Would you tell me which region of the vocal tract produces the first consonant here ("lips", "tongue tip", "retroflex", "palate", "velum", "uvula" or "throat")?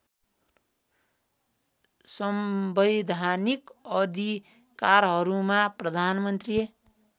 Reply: tongue tip